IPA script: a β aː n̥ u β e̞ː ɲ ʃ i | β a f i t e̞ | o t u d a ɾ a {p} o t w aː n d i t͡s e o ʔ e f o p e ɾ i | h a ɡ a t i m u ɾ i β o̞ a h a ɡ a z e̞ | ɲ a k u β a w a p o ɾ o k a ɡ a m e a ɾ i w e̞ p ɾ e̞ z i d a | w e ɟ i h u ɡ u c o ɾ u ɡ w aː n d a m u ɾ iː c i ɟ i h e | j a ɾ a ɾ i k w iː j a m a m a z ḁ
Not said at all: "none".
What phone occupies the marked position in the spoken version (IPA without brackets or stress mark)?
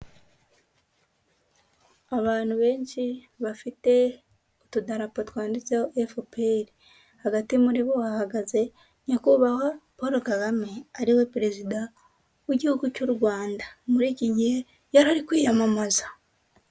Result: p